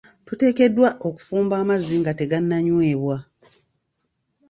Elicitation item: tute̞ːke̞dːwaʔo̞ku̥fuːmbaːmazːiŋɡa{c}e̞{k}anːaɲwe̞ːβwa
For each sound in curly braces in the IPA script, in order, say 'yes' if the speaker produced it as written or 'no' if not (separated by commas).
no, no